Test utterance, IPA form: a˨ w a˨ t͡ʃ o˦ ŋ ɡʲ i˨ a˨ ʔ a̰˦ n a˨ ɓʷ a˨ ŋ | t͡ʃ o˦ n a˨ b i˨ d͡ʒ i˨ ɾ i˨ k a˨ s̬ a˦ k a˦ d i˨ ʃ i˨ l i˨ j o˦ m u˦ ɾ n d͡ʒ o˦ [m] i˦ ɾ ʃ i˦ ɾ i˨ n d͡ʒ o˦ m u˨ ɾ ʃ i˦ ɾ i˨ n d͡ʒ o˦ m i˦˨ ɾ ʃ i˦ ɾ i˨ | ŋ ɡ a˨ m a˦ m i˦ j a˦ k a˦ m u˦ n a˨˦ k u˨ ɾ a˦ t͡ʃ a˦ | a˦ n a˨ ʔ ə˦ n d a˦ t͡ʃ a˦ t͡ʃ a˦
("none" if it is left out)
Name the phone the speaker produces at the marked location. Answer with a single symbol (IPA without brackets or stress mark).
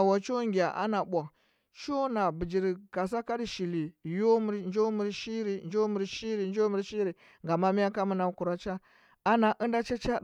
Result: m